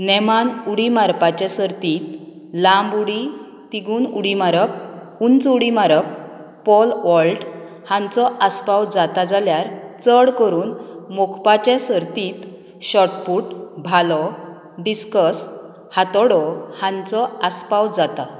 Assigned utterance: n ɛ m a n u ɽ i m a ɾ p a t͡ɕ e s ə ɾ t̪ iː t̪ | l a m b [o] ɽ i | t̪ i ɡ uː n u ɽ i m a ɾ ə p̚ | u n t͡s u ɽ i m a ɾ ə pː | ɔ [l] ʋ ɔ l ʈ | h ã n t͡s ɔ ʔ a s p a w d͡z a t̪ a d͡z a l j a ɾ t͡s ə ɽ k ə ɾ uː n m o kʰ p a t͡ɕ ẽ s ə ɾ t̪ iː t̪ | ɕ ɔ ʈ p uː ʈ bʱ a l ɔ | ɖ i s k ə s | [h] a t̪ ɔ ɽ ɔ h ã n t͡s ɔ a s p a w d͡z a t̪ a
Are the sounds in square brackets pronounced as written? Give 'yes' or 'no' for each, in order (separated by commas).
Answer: no, yes, yes